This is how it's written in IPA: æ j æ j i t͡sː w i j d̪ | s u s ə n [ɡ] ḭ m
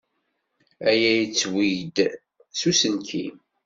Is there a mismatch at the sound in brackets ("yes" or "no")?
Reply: yes